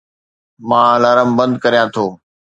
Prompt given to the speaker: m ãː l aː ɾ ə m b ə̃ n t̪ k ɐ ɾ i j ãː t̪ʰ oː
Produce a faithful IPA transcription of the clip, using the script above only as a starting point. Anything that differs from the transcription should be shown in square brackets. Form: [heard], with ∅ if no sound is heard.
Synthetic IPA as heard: m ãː l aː ɾ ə m b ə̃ n [d̪] k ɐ ɾ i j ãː t̪ʰ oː